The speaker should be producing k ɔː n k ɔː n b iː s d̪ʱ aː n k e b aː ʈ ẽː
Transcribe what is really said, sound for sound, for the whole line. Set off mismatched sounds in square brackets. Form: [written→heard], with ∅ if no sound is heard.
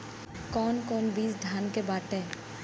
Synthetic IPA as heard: k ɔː n k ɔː n b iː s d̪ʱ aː n k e b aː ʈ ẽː